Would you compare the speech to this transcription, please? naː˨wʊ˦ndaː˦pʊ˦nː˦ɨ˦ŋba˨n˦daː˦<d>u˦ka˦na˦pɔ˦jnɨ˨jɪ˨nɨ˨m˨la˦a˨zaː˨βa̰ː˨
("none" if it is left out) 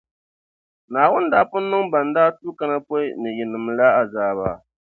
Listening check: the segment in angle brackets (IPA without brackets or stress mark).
t